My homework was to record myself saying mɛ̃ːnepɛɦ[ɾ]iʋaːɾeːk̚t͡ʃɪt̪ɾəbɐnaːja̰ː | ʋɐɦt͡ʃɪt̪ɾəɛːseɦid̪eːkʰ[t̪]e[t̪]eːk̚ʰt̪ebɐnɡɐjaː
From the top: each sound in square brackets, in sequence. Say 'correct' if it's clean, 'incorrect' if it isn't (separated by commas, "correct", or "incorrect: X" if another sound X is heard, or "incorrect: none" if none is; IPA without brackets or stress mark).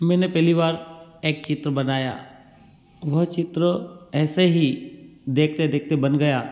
incorrect: l, correct, incorrect: d̪